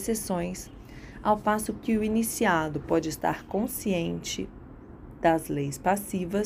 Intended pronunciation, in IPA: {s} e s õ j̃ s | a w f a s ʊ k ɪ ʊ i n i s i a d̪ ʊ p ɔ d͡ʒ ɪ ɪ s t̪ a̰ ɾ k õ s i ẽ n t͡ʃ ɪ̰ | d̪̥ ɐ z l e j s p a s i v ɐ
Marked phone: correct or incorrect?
correct